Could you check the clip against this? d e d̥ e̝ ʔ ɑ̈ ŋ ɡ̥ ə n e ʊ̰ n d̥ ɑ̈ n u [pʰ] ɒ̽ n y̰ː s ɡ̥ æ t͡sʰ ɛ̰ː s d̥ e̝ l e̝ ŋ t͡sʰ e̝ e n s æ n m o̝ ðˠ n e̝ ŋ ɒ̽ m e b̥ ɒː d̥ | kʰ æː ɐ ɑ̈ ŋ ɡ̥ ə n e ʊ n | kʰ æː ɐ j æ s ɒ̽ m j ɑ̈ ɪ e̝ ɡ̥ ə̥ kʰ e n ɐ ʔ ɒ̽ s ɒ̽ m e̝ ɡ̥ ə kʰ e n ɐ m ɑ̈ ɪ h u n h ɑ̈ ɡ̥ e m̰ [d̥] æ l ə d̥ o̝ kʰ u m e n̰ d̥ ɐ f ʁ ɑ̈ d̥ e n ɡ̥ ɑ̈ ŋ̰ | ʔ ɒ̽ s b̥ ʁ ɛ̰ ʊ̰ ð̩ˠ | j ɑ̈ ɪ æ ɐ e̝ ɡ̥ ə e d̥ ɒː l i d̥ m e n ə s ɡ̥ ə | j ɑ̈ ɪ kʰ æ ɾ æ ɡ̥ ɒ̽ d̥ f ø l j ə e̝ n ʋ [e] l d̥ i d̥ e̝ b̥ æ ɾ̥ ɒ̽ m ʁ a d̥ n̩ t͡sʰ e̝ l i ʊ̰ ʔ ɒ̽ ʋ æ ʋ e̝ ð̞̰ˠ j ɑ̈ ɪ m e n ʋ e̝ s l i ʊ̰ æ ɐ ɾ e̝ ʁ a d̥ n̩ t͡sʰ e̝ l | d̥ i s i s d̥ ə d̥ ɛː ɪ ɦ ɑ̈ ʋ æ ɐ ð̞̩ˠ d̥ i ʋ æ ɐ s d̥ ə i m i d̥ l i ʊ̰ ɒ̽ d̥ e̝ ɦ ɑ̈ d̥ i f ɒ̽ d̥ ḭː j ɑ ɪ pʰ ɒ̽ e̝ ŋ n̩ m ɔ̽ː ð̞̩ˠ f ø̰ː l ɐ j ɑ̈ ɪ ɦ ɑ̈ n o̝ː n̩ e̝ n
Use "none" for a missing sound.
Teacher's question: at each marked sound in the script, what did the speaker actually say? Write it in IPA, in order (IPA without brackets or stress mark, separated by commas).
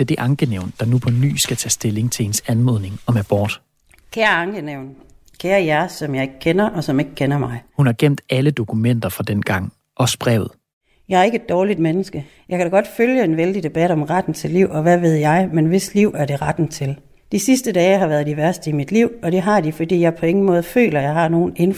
pʰ, d̥, e